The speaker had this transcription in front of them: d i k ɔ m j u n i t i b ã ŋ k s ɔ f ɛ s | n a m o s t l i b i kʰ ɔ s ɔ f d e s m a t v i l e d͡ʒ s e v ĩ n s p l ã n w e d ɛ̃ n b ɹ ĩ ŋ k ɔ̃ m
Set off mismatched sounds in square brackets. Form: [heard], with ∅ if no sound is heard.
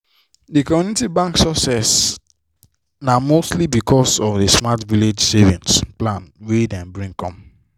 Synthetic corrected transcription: d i k ɔ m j u n i t i b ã ŋ k s ɔ [s] ɛ s | n a m o s t l i b i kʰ ɔ s ɔ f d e s m a t v i l e d͡ʒ s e v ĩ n s p l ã n w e d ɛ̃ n b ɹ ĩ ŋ k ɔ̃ m

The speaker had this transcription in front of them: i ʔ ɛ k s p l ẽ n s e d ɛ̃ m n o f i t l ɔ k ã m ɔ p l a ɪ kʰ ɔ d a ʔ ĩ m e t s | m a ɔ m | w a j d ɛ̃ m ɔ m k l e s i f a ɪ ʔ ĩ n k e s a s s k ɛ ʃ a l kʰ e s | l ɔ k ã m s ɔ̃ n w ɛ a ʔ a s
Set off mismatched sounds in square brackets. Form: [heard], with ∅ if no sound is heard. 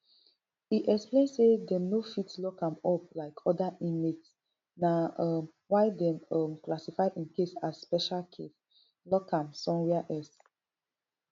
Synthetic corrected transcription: i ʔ ɛ k s p l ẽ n s e d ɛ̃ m n o f i t l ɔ k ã m ɔ p l a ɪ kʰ ɔ d a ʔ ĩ m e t s | [n] a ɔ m | w a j d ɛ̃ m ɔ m k l [a] s i f a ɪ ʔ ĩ n k e s a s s [p] ɛ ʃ a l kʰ e s | l ɔ k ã m s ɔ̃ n w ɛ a ʔ [ɛ] s

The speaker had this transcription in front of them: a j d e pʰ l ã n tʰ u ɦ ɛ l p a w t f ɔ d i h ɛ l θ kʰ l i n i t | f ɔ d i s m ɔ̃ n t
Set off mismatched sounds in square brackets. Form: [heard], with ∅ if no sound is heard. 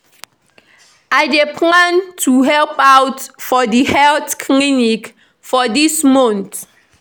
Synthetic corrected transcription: a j d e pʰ l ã n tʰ u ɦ ɛ l p a w t f ɔ d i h ɛ l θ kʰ l i n i [k] | f ɔ d i s m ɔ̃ n t

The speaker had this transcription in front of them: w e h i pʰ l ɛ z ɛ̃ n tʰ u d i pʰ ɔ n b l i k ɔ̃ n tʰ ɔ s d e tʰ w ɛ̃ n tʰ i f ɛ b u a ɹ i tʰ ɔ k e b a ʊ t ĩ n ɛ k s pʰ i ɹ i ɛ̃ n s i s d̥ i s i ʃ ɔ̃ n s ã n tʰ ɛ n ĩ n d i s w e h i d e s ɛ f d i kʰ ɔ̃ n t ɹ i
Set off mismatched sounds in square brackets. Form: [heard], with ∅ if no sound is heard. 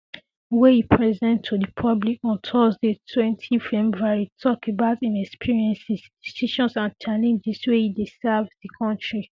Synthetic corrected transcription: w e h i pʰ [ɹ] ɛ z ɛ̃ n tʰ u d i pʰ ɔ [∅] b l i k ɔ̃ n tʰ ɔ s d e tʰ w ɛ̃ n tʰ i f ɛ b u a ɹ i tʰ ɔ k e b a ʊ t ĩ n ɛ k s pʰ i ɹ i ɛ̃ n s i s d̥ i s i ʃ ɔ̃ n s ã n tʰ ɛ n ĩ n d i s w e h i d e s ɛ [v] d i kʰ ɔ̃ n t ɹ i

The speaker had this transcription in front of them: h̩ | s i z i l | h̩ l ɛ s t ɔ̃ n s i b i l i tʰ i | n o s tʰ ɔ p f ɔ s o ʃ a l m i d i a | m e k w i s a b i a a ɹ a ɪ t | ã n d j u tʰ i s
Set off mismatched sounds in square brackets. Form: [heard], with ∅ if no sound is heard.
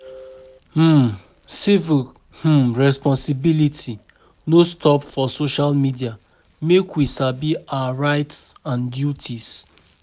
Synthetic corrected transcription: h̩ | s i [v] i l | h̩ [ɹ] ɛ s [p] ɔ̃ n s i b i l i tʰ i | n o s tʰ ɔ p f ɔ s o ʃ a l m i d i a | m e k w i s a b i a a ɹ a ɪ t | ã n d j u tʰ i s

